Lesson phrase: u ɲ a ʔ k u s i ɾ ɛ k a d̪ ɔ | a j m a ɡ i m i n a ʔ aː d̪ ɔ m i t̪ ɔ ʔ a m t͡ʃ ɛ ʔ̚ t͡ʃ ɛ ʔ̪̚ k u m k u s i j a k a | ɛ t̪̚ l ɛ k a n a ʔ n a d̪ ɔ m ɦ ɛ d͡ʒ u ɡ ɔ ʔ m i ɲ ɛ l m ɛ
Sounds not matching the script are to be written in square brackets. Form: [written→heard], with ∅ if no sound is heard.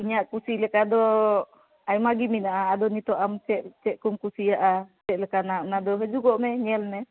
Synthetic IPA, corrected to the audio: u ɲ a ʔ k u s i [ɾ→l] ɛ k a d̪ ɔ | a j m a ɡ i m i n a ʔ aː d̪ ɔ [m→n] i t̪ ɔ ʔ a m t͡ʃ ɛ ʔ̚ t͡ʃ ɛ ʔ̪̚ k u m k u s i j a [k→ʔ] a | ɛ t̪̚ l ɛ k a n a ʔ n a d̪ ɔ [m→∅] ɦ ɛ d͡ʒ u ɡ ɔ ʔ m [i→ɛ] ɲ ɛ l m ɛ